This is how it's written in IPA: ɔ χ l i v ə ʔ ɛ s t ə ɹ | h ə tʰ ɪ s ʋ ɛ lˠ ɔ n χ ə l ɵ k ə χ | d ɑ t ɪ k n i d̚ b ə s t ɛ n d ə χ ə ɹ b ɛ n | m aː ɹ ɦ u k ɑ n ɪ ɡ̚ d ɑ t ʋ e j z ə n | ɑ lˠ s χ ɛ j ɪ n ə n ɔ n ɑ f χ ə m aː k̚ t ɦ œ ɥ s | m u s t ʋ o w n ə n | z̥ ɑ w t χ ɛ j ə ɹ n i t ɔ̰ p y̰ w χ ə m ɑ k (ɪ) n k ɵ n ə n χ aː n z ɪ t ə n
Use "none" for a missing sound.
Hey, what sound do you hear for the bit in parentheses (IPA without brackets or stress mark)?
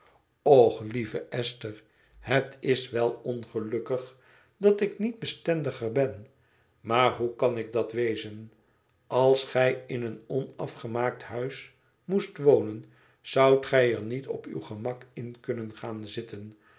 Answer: ɪ